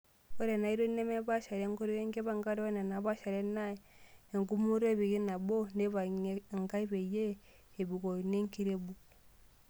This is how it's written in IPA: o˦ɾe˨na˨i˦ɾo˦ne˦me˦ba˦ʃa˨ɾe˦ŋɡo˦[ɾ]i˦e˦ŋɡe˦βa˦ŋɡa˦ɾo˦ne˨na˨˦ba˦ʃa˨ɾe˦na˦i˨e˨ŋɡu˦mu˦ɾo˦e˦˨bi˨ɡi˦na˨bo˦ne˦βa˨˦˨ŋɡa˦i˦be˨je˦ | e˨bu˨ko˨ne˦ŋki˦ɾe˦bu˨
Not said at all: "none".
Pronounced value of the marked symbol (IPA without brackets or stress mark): ɾ